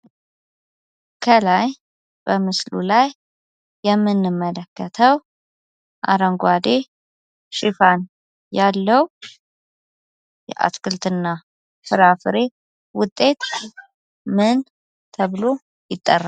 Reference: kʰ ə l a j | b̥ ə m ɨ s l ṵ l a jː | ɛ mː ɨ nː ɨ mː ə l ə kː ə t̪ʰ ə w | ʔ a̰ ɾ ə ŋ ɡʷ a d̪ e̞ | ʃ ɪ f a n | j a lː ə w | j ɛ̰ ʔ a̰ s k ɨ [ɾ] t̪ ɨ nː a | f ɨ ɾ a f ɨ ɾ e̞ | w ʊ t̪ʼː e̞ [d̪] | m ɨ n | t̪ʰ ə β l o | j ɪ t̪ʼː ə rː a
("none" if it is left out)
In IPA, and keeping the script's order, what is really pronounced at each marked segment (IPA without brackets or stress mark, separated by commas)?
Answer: l, t̪